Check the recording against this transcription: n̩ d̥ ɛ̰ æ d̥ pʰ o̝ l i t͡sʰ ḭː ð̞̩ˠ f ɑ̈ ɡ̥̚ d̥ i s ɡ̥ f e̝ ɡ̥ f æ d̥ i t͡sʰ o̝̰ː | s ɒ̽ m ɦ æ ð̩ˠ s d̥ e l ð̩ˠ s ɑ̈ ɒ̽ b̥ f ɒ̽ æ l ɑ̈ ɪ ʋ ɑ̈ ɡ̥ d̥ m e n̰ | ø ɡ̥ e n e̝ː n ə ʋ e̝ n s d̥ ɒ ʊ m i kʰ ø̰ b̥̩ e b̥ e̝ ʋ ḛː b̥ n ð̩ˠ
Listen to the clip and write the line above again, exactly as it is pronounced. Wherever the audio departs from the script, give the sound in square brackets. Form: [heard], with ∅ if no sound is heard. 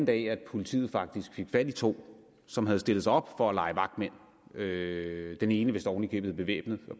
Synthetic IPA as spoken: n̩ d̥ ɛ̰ æ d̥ pʰ o̝ l i t͡sʰ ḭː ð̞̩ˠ f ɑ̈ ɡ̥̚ d̥ i s ɡ̥ f e̝ ɡ̥ f æ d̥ i t͡sʰ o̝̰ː | s ɒ̽ m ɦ æ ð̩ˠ s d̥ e l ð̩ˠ s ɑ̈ ɒ̽ b̥ f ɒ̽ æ l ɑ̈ ɪ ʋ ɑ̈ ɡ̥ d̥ m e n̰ | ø [d̥] e n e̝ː n ə ʋ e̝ [∅] s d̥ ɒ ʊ [n] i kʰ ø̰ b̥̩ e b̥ e̝ ʋ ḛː b̥ n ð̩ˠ